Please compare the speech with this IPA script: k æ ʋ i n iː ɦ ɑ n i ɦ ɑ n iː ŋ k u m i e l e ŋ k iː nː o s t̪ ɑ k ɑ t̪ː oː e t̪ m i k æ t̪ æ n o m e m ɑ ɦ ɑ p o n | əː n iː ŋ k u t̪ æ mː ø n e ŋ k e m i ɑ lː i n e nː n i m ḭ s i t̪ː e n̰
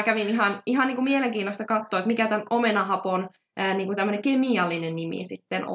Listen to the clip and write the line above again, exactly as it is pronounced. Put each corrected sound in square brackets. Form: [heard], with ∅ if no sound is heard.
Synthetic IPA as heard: k æ ʋ i n [i] ɦ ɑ n i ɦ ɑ n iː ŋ k u m i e l e ŋ k iː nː o s t̪ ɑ k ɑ t̪ː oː e t̪ m i k æ t̪ æ n o m e [n] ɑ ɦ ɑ p o n | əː n iː ŋ k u t̪ æ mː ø n e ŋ k e m i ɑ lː i n e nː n i m ḭ s i t̪ː e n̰